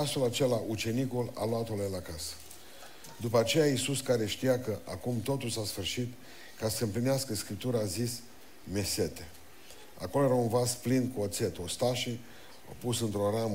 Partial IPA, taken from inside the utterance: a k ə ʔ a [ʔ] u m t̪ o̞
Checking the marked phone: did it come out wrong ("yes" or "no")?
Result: yes